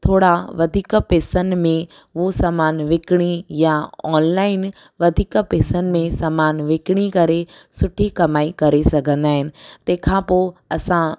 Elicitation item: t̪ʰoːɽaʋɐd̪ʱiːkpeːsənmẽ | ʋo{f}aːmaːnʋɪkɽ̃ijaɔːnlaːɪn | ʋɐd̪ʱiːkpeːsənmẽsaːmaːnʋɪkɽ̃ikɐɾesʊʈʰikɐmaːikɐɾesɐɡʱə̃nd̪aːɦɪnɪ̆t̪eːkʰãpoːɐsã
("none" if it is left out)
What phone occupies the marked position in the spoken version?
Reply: s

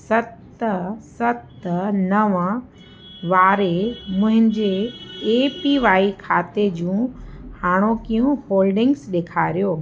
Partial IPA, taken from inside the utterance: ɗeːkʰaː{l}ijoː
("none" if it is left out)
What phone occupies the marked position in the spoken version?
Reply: ɾ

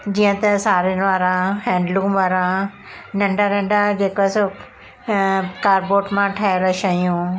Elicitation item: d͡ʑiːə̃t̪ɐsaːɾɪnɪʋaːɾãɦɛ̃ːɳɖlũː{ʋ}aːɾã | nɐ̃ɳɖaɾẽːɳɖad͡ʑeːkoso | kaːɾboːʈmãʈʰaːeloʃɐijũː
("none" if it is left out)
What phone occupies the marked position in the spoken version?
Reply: ʋ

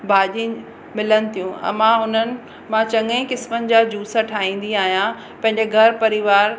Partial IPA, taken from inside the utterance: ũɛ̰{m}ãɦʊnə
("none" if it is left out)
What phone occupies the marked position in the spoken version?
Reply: m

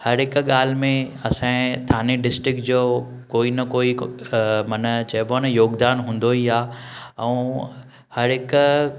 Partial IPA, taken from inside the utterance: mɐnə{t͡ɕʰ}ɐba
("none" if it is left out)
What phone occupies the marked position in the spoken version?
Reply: t͡ɕ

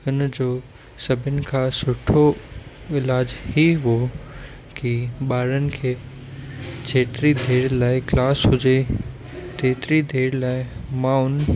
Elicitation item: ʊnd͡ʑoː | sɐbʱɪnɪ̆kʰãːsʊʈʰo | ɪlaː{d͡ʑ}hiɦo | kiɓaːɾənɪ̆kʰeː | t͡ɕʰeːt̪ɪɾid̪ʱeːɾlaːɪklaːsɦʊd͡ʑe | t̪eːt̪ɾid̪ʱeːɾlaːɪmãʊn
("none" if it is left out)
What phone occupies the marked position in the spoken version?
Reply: d͡ʑ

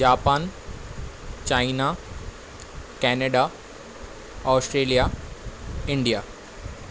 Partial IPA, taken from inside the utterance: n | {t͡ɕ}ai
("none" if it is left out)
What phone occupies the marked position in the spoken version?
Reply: t͡ɕ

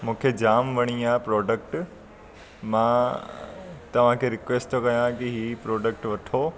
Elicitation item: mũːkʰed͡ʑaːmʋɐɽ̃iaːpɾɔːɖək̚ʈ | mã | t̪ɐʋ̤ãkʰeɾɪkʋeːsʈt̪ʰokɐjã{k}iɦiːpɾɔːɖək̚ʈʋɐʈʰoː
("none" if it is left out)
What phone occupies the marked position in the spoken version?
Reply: k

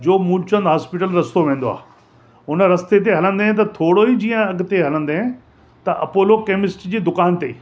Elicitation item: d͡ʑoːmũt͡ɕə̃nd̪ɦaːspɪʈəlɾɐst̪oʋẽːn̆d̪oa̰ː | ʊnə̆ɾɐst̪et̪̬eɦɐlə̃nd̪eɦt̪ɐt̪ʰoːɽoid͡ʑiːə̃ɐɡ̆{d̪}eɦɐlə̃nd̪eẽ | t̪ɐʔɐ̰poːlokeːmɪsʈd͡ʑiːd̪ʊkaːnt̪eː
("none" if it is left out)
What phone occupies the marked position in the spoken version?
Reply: t̪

